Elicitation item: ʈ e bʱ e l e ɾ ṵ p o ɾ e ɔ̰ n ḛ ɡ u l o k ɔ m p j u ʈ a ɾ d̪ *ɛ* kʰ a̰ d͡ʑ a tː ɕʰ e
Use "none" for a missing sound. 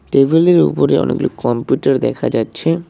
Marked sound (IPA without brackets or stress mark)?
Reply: ɛ